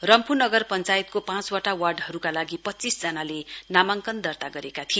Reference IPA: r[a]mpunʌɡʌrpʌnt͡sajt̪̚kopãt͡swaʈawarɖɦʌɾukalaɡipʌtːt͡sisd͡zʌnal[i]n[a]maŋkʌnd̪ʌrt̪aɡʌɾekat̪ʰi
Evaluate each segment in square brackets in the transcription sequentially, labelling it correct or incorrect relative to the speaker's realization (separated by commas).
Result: incorrect, incorrect, correct